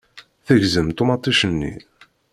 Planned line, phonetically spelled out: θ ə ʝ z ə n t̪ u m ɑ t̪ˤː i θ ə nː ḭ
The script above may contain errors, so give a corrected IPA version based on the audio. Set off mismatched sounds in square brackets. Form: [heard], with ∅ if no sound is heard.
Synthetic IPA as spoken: θ ə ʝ z ə [m] t̪ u m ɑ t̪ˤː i [ʃ] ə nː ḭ